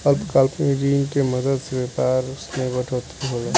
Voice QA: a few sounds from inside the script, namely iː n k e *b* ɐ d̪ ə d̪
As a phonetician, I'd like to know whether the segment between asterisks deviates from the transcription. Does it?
yes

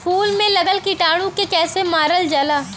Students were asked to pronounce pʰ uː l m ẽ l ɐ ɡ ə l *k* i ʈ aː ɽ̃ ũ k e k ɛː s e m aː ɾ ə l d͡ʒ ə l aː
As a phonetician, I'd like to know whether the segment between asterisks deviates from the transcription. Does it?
no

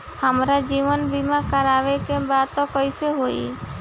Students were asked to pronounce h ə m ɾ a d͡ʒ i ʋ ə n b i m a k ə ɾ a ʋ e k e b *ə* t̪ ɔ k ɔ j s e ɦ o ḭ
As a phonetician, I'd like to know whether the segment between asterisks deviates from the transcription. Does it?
yes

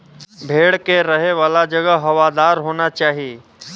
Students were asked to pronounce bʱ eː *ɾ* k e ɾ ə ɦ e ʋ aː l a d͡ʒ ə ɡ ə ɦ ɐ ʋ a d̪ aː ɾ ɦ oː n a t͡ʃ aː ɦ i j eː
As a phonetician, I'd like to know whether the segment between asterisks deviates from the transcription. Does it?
yes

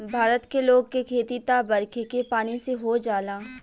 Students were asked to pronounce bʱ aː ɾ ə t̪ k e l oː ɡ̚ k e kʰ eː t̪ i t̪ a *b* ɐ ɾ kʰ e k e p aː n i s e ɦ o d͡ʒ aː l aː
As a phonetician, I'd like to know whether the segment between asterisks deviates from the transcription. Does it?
no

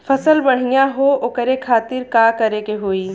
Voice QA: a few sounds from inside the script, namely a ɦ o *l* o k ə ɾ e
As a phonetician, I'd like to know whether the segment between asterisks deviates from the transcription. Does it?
yes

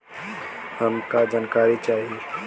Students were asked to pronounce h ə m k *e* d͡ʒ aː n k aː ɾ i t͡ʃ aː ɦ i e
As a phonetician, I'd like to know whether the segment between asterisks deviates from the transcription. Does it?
yes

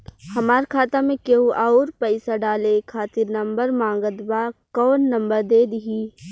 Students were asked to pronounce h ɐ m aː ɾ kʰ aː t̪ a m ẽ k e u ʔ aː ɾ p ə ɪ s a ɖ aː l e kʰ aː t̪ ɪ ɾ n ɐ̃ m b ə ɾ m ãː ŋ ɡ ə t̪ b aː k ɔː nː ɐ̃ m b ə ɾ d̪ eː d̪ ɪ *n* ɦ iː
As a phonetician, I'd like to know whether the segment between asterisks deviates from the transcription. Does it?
yes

